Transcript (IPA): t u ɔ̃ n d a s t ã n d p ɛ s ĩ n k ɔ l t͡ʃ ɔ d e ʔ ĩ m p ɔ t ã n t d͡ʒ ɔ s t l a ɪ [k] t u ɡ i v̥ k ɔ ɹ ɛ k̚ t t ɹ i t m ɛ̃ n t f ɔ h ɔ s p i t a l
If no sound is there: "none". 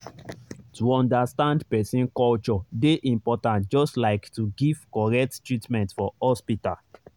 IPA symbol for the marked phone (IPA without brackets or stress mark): k